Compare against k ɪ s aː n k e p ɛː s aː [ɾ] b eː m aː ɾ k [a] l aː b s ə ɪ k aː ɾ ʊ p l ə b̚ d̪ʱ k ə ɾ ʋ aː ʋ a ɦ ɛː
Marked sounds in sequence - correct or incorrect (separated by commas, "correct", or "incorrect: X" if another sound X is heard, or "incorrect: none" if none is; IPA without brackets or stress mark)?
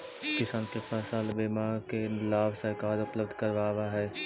incorrect: l, incorrect: e